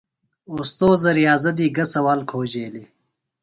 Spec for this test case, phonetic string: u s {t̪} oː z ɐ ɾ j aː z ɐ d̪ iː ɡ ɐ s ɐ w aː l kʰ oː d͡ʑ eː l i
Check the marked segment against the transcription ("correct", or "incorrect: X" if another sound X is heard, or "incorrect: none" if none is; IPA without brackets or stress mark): correct